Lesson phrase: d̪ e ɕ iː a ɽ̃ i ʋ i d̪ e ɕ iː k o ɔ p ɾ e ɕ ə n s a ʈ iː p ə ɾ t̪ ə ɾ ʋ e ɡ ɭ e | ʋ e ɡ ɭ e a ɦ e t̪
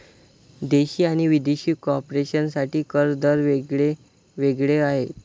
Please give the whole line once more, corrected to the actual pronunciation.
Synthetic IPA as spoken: d̪ e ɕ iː a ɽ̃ i ʋ i d̪ e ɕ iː k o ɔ p ɾ e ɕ ə n s a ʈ iː k ə ɾ d̪ ə ɾ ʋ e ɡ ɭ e | ʋ e ɡ ɭ e a ɦ e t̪